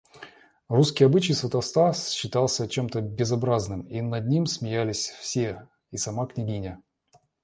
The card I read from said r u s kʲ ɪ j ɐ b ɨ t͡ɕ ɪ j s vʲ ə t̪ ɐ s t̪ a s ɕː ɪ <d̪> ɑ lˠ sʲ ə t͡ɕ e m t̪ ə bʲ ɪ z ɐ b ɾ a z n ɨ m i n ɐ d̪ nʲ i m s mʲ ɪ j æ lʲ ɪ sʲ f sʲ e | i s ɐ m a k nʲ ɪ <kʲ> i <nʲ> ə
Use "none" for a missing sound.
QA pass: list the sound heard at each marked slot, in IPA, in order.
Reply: t̪, ɡʲ, nʲ

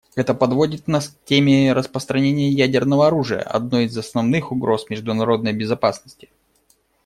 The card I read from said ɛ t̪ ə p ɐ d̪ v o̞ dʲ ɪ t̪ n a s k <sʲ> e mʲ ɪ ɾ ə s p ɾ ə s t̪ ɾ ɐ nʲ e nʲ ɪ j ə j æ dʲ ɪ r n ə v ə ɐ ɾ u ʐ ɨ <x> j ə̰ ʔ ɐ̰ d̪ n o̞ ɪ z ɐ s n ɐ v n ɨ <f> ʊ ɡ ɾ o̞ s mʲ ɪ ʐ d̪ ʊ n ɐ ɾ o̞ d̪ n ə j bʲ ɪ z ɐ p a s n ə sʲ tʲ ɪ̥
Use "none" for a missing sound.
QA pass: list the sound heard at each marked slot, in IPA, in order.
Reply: tʲ, none, x

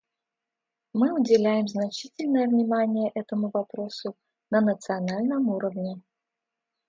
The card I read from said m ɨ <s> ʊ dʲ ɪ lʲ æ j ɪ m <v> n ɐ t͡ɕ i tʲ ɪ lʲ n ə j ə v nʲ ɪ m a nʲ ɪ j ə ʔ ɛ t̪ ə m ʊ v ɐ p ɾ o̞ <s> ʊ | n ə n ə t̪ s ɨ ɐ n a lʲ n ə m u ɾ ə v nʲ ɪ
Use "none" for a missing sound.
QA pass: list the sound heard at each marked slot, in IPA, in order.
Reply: none, z, s

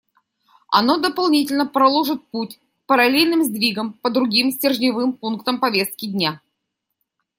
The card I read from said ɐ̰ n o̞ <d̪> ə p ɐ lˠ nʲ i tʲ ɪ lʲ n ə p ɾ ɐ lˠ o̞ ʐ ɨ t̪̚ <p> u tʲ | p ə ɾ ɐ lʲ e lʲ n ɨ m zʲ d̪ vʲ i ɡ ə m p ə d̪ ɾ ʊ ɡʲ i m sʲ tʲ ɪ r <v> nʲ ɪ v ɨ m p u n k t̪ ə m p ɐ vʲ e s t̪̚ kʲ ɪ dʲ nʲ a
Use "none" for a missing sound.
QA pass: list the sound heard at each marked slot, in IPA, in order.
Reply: d̪, p, ʐ

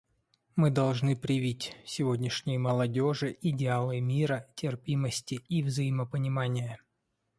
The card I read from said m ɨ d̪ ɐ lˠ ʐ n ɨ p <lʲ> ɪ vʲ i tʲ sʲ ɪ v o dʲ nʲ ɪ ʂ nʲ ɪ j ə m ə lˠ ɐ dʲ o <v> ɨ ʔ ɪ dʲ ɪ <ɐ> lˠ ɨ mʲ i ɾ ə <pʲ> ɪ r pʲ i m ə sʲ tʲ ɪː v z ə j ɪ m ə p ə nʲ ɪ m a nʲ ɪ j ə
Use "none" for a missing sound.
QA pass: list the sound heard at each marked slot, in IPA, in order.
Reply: ɾʲ, ʐ, a, tʲ

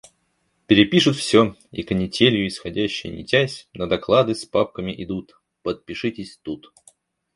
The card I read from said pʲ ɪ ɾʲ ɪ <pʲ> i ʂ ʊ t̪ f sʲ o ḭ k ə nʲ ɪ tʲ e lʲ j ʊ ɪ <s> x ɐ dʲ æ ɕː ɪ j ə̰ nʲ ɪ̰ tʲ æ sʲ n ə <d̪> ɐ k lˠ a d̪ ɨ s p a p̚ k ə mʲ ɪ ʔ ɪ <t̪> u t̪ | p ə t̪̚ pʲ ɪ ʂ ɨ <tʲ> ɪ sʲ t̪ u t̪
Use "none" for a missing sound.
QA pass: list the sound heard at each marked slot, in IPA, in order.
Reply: pʲ, s, d̪, d̪, tʲ

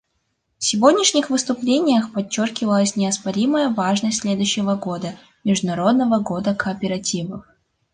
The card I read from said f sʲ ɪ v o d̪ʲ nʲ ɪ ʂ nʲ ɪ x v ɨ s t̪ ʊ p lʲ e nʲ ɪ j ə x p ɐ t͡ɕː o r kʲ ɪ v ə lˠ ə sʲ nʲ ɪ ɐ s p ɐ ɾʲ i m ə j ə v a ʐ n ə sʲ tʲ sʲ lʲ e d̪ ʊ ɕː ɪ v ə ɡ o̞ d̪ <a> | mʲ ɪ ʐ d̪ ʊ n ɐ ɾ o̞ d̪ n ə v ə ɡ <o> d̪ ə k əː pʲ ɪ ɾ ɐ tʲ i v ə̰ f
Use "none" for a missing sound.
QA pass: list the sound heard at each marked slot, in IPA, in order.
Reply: ə, o

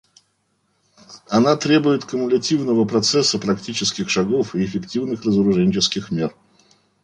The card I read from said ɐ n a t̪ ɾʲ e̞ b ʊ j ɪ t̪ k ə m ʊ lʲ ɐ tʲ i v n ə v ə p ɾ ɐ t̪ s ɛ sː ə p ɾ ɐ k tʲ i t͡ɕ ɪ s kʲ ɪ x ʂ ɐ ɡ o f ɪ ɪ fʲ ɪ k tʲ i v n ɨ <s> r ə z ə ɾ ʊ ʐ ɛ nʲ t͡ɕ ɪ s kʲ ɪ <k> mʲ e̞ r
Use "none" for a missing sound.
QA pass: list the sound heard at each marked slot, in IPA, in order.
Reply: x, x

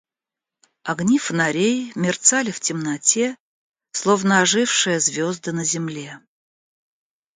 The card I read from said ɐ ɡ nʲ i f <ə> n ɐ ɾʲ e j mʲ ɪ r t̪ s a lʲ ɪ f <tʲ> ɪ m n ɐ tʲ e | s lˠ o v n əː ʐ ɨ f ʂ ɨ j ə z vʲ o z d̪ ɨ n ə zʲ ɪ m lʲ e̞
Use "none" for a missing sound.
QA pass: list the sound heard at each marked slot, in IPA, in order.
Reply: ə, tʲ

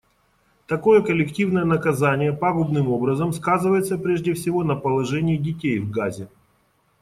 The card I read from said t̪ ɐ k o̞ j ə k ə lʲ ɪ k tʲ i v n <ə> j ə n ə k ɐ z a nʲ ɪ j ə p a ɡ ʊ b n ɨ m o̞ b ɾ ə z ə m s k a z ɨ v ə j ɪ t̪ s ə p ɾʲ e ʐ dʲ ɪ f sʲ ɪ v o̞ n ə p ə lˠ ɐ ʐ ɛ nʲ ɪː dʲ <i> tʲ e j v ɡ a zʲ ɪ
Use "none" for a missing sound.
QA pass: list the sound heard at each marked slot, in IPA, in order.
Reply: ə, ɪ

